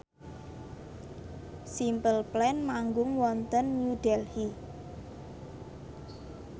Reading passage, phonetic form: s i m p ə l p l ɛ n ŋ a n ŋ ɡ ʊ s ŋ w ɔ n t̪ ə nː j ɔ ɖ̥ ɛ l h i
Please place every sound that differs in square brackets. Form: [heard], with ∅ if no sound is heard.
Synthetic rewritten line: s i m p ə l p l ɛ n [m] a [∅] ŋ ɡ ʊ [∅] ŋ w ɔ n t̪ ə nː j [u] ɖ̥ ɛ l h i